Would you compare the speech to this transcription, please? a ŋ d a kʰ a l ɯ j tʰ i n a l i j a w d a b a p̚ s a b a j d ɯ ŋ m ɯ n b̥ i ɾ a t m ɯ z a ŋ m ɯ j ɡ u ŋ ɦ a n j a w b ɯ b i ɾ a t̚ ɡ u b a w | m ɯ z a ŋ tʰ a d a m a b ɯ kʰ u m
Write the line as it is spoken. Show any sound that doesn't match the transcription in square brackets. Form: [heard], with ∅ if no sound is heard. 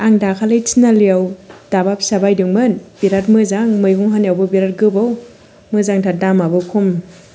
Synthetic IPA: a ŋ d a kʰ a l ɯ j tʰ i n a l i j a w d a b a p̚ s a b a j d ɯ ŋ m ɯ n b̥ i ɾ a t m ɯ z a ŋ m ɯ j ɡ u ŋ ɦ a n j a w b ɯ b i ɾ a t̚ ɡ [ɯ] b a w | m ɯ z a ŋ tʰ a d a m a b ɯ kʰ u m